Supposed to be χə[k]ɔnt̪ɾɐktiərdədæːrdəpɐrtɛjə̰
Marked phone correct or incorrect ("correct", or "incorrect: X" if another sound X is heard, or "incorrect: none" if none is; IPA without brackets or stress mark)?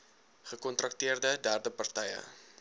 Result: correct